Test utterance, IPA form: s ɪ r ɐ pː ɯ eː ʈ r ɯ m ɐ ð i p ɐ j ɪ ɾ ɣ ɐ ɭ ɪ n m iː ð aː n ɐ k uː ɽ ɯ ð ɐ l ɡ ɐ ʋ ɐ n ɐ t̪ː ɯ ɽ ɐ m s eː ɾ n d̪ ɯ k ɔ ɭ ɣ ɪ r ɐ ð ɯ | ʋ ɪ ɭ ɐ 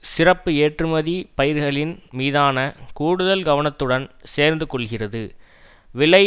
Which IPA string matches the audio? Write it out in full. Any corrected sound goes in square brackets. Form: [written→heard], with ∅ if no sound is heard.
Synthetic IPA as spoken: s ɪ r ɐ pː ɯ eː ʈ r ɯ m ɐ ð i p ɐ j ɪ ɾ ɣ ɐ ɭ ɪ n m iː ð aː n ɐ k uː ɽ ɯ ð ɐ l ɡ ɐ ʋ ɐ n ɐ t̪ː ɯ ɽ ɐ [m→n] s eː ɾ n d̪ ɯ k ɔ ɭ ɣ ɪ r ɐ ð ɯ | ʋ ɪ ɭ ɐ